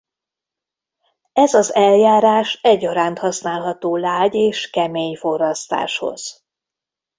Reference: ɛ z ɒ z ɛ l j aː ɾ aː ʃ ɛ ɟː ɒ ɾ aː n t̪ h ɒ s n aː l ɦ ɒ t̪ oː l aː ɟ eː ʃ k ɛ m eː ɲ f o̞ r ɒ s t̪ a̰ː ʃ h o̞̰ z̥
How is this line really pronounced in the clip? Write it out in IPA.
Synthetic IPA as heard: ɛ z ɒ z ɛ l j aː ɾ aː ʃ ɛ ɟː ɒ ɾ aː n t̪ h ɒ s n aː l ɦ ɒ t̪ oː l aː ɟ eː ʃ k ɛ m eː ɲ f o̞ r ɒ s t̪ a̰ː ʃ h o̞̰ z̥